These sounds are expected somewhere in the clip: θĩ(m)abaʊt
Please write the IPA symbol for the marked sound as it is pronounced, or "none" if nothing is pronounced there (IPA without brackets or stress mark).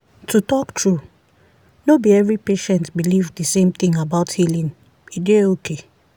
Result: ŋ